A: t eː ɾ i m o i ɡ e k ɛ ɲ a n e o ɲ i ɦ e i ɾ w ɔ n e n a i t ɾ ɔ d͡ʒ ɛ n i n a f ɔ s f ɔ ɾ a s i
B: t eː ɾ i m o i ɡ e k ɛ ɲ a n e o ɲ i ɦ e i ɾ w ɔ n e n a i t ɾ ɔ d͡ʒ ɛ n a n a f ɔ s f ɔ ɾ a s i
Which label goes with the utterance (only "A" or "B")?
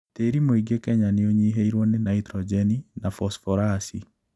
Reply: A